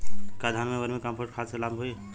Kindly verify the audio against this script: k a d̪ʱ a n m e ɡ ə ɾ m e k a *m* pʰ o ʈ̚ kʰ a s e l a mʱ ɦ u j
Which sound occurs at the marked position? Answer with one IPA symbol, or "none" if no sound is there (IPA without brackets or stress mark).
m